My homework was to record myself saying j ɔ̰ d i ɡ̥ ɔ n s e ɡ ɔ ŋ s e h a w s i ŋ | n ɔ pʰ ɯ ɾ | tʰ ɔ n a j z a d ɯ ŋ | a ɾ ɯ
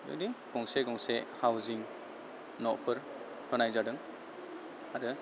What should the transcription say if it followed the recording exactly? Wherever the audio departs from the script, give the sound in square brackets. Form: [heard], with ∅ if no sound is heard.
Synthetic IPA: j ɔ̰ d i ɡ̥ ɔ [ŋ] s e ɡ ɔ ŋ s e h a w [z] i ŋ | n ɔ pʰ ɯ ɾ | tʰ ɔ n a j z a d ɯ ŋ | a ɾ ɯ